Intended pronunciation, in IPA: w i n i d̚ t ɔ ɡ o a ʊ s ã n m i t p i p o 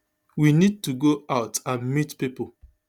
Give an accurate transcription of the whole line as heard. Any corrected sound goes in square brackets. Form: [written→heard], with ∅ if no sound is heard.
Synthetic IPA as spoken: w i n i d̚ t [ɔ→u] ɡ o a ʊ [s→t] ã n m i t p i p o

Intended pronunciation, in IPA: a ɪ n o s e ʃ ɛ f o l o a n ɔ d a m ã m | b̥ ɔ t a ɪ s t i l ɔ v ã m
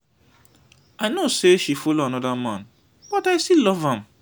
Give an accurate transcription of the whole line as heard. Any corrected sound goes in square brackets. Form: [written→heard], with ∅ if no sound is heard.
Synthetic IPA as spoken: a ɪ n o s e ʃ [ɛ→i] f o l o a n ɔ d a m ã [m→n] | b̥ ɔ t a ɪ s t i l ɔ v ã m

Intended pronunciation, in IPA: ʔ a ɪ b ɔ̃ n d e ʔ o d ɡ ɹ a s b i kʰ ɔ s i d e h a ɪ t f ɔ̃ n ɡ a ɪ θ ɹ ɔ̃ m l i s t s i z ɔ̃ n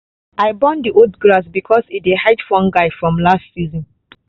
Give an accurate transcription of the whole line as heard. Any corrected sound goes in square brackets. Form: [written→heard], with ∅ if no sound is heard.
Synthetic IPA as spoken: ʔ a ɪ b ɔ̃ n d [e→i] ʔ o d ɡ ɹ a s b i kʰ ɔ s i d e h a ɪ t f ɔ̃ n ɡ a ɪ [θ→f] ɹ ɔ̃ m l [i→a] s t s i z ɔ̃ n

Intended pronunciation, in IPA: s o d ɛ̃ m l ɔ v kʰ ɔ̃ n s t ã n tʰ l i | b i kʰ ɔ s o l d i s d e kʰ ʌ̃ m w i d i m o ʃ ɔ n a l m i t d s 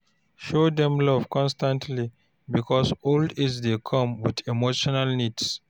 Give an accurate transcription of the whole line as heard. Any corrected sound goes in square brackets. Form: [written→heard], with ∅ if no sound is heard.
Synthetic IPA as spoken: [s→ʃ] o d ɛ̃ m l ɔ v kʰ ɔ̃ n s t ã n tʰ l i | b i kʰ ɔ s o l d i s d e kʰ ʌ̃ m w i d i m o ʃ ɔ n a l [m→n] i [t→∅] d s

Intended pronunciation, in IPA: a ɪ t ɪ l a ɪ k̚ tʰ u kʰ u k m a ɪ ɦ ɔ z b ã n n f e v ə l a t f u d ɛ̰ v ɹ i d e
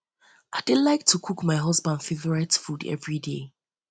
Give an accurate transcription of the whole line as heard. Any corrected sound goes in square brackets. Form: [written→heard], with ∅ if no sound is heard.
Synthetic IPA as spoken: a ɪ [t→d] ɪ l a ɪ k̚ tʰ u kʰ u k m a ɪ ɦ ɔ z b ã n [n→d] f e v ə [l→ɹ] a t f u d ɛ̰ v ɹ i d e

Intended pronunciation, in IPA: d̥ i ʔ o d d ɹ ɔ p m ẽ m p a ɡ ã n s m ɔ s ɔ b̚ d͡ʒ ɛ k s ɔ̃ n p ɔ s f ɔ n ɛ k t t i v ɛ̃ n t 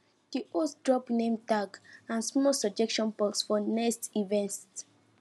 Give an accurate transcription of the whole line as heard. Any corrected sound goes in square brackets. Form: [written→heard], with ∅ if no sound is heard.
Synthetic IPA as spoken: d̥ i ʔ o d d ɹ ɔ p [m→n] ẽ m [p→t] a ɡ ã n s m ɔ s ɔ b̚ d͡ʒ ɛ k [s→ʃ] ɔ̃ n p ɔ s f ɔ n ɛ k [t→s] t i v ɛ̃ n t

